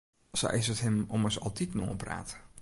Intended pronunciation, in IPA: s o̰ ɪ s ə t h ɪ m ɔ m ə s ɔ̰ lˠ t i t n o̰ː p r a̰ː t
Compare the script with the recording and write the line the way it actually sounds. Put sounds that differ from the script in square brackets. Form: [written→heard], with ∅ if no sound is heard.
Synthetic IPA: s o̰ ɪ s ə t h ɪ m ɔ m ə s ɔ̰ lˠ t i t n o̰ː p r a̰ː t